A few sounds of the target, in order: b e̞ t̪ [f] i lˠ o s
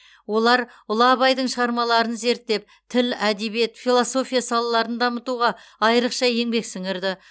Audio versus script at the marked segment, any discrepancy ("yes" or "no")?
no